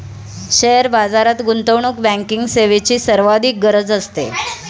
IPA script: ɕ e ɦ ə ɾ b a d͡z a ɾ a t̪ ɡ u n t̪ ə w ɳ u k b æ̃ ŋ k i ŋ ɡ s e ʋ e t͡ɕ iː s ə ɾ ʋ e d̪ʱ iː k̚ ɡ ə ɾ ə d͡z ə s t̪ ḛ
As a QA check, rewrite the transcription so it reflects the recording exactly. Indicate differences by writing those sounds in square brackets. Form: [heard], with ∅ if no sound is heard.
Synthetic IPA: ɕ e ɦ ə ɾ b a d͡z a ɾ a t̪ ɡ u n t̪ ə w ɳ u k b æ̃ ŋ k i ŋ ɡ s e ʋ e t͡ɕ iː s ə ɾ ʋ [a] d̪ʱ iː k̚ ɡ ə ɾ ə d͡z ə s t̪ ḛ